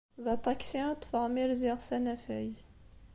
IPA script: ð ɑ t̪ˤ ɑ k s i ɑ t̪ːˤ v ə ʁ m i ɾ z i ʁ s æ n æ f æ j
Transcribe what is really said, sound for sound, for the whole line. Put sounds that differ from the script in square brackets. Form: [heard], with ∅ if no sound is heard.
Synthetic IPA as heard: ð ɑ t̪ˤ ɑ k s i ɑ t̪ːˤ [f] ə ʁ m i ɾ z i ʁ s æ n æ f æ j